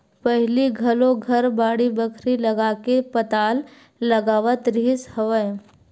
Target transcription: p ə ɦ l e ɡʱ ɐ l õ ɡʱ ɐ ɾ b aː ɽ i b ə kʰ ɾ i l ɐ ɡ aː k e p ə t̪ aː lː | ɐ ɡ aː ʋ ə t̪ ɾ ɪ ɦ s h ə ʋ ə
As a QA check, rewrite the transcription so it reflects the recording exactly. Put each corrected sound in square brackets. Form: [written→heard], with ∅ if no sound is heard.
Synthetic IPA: p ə ɦ l [e→i] ɡʱ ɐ l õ ɡʱ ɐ ɾ b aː ɽ i b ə kʰ ɾ i l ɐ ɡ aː k e p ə t̪ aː lː | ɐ ɡ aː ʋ ə t̪ ɾ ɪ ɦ s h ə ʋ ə